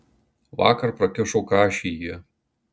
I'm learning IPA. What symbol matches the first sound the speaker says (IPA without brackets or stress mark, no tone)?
ʋ